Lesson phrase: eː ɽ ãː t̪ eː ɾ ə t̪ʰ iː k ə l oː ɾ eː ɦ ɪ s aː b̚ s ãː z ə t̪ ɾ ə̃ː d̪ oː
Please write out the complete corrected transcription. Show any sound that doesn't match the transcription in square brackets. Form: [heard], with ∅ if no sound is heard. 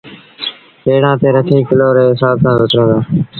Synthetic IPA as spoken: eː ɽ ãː t̪ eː ɾ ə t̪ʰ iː k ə l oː ɾ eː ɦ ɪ s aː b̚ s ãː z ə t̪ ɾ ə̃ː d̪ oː